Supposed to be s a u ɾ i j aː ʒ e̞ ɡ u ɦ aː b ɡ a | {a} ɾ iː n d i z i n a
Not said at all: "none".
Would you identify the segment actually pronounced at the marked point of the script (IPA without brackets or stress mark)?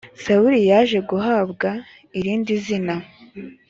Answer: i